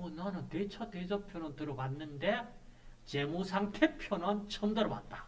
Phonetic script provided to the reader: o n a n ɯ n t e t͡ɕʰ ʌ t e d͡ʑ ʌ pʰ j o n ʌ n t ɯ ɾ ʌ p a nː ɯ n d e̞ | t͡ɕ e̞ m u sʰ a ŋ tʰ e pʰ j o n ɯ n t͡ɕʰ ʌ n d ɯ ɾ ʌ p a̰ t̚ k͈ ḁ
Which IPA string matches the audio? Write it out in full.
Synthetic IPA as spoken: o n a n ɯ n t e t͡ɕʰ ʌ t e d͡ʑ ʌ pʰ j o n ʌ n t ɯ ɾ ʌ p a nː ɯ n d e̞ | t͡ɕ e̞ m u sʰ a ŋ tʰ e pʰ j o n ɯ n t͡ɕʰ ʌ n d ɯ ɾ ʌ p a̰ t̚ t͈ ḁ

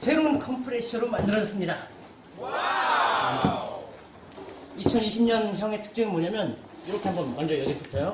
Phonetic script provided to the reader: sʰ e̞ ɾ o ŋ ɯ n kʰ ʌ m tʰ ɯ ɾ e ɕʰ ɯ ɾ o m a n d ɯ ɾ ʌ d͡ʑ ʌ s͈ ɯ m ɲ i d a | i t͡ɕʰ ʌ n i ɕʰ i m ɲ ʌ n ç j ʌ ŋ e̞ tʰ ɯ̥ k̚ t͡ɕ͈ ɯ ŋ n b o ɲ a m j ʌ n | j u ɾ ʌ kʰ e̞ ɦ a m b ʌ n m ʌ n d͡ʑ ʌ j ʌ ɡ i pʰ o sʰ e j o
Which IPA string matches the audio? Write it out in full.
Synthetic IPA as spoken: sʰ e̞ ɾ o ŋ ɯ n kʰ ʌ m pʰ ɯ ɾ e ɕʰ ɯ ɾ o m a n d ɯ ɾ ʌ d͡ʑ ʌ s͈ ɯ m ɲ i d a | i t͡ɕʰ ʌ n i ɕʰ i m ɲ ʌ n ç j ʌ ŋ e̞ tʰ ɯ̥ k̚ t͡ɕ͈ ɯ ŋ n m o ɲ a m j ʌ n | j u ɾ ʌ kʰ e̞ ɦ a m b ʌ n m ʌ n d͡ʑ ʌ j ʌ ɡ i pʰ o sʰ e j o

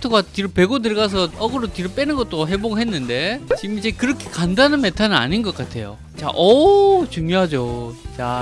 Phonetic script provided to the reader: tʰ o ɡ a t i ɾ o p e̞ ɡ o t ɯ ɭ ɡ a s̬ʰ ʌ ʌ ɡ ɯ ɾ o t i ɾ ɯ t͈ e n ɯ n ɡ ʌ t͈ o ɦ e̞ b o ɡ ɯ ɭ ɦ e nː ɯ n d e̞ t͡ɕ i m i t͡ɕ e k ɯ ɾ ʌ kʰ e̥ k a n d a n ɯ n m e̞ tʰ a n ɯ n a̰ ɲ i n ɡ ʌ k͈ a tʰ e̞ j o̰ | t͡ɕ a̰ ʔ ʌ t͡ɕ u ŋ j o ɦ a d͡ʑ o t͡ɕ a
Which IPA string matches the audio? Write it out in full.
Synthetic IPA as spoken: tʰ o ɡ a t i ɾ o p e̞ ɡ o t ɯ ɭ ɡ a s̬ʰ ʌ ʌ ɡ ɯ ɾ o t i ɾ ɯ p͈ e n ɯ n ɡ ʌ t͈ o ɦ e̞ b o ɡ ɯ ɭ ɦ e nː ɯ n d e̞ t͡ɕ i m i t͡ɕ e k ɯ ɾ ʌ kʰ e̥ k a n d a n ɯ n m e̞ tʰ a n ɯ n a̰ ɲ i n ɡ ʌ k͈ a tʰ e̞ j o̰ | t͡ɕ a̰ ʔ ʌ t͡ɕ u ŋ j o ɦ a d͡ʑ o t͡ɕ a

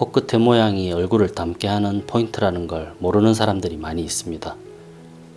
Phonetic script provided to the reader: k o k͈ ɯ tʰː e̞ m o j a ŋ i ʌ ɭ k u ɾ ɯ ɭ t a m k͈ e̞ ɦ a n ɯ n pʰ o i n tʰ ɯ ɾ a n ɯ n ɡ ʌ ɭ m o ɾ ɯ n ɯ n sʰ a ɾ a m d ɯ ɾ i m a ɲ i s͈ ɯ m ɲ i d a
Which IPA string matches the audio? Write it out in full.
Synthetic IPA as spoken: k o k͈ ɯ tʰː e̞ m o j a ŋ i ʌ ɭ ɡ u ɾ ɯ ɭ t a m k͈ e̞ ɦ a n ɯ n pʰ o i n tʰ ɯ ɾ a n ɯ n ɡ ʌ ɭ m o ɾ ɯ n ɯ n sʰ a ɾ a m d ɯ ɾ i m a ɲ iː s͈ ɯ m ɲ i d a

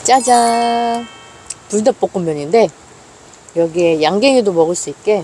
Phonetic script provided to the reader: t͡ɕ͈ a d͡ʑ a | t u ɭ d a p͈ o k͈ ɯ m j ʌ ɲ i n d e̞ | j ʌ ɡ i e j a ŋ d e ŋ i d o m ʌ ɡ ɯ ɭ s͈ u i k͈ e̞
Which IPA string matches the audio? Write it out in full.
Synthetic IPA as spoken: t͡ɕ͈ a d͡ʑ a | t u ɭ d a p͈ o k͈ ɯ m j ʌ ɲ i n d e̞ | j ʌ ɡ i e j a ŋ ɡ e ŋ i d o m ʌ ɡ ɯ ɭ s͈ u i k͈ e̞

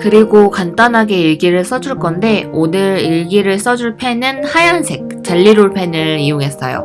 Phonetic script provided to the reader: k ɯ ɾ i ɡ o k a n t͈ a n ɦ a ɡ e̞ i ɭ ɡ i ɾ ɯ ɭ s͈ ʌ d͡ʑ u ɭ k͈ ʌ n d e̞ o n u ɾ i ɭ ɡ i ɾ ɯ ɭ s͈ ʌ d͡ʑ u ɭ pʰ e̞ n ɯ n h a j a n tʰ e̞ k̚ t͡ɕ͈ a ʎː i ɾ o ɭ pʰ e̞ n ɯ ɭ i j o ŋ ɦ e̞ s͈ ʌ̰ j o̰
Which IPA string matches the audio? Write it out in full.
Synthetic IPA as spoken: k ɯ ɾ i ɡ o k a n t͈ a n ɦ a ɡ e̞ i ɭ ɡ i ɾ ɯ ɭ s͈ ʌ d͡ʑ u ɭ k͈ ʌ n d e̞ o n ɯ ɾ i ɭ ɡ i ɾ ɯ ɭ s͈ ʌ d͡ʑ u ɭ pʰ e̞ n ɯ n h a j a n sʰ e̞ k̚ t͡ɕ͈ a ʎː i ɾ o ɭ pʰ e̞ n ɯ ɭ i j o ŋ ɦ e̞ s͈ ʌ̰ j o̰

